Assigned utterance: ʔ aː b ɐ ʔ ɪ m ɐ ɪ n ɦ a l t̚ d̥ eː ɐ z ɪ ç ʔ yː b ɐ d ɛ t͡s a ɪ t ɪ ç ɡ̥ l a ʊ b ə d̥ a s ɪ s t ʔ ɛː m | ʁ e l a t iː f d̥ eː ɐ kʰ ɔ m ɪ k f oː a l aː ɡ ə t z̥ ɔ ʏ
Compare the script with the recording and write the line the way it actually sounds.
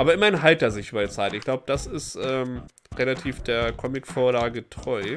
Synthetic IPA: ʔ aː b ɐ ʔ ɪ m ɐ ɪ n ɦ a l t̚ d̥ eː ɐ z ɪ ç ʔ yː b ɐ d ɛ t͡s a ɪ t ɪ ç ɡ̥ l a ʊ b ə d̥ a s ɪ s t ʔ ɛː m | ʁ e l a tʰ iː f d̥ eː ɐ kʰ ɔ m ɪ k f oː ɐ l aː ɡ ə t ʁ̥ ɔ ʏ